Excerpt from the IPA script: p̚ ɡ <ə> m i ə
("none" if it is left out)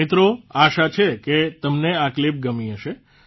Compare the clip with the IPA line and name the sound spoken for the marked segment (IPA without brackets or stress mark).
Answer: ə